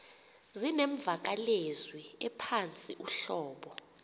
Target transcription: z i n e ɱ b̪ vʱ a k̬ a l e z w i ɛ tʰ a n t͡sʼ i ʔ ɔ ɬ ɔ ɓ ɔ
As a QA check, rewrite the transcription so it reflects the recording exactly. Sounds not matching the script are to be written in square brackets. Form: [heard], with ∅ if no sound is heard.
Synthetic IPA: z i n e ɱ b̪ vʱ a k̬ a l e z w i ɛ [pʰ] a n t͡sʼ i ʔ [u] ɬ [ɔː] ɓ ɔ